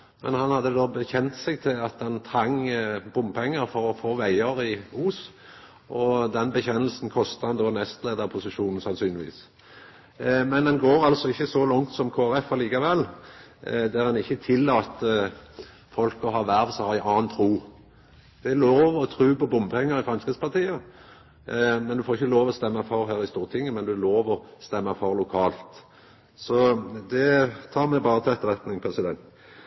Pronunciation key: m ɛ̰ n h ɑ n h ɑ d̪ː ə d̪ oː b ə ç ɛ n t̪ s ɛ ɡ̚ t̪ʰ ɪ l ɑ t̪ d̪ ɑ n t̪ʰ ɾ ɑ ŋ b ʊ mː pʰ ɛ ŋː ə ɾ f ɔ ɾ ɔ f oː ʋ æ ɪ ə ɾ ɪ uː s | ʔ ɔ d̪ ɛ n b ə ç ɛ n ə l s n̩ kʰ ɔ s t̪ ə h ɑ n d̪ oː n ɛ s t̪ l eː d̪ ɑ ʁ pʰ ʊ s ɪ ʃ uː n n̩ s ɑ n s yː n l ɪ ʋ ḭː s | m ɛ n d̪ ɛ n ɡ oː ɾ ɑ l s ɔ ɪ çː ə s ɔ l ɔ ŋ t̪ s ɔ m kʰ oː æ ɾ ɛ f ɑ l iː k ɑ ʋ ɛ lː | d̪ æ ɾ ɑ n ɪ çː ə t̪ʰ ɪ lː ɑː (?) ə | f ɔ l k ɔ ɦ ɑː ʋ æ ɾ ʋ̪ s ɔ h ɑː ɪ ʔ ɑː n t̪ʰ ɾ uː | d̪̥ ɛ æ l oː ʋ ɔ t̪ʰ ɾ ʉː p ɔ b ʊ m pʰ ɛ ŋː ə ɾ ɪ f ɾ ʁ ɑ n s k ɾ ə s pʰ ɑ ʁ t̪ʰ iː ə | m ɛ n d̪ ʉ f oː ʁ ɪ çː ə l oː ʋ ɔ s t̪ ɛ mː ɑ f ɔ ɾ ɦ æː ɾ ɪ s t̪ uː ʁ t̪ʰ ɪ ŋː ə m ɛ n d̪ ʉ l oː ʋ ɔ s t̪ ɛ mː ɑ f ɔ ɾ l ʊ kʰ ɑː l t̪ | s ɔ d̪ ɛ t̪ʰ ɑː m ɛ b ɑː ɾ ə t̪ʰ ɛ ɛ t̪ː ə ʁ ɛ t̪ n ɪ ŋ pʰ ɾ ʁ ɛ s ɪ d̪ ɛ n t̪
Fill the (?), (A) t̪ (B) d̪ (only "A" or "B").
A